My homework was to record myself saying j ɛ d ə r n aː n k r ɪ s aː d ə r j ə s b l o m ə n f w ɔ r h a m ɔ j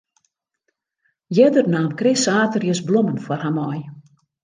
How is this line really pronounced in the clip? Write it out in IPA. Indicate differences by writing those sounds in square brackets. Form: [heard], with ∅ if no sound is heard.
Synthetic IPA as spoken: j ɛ d ə r n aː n k r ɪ s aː [t] ə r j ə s b l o m ə n f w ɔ r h a m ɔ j